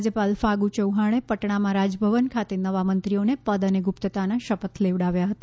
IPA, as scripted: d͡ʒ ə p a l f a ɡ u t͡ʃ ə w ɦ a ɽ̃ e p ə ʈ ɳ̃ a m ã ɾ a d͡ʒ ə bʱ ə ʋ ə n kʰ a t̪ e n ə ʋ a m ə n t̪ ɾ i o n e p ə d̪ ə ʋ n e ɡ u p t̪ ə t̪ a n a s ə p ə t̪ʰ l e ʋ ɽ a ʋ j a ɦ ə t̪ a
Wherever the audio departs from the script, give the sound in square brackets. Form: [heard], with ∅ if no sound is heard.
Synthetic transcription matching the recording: d͡ʒ ə p a l f a ɡ u t͡ʃ ə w ɦ a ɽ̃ e p ə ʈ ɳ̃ a m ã ɾ a d͡ʒ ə bʱ ə ʋ ə n kʰ a t̪ e n ə ʋ a m ə n t̪ ɾ i o n e p ə d̪ ə [∅] n e ɡ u p t̪ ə t̪ a n a [ʃ] ə p ə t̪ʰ l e ʋ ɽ a ʋ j a ɦ ə t̪ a